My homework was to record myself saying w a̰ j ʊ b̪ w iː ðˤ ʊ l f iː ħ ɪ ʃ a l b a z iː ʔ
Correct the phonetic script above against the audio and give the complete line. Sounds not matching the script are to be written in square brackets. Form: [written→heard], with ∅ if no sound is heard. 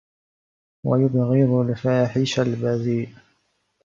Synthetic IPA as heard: w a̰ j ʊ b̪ [w→ɣ] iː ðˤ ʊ l f [iː→aː] ħ ɪ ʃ a l b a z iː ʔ